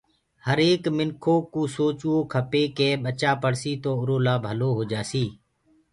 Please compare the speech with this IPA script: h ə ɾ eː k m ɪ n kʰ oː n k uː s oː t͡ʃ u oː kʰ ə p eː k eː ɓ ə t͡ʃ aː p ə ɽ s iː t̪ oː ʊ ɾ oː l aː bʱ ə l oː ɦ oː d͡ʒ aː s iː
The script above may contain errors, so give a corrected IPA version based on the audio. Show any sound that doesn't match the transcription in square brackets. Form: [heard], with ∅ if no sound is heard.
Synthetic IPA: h ə ɾ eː k m ɪ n kʰ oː [∅] k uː s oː t͡ʃ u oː kʰ ə p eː k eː ɓ ə t͡ʃ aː p ə ɽ s iː t̪ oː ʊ ɾ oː l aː bʱ ə l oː ɦ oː d͡ʒ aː s iː